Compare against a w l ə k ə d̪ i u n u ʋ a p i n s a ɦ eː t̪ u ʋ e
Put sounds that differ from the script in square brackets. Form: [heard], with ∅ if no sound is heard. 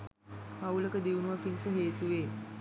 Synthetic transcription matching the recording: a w l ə k ə d̪ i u n u ʋ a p i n s [ə] ɦ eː t̪ u ʋ e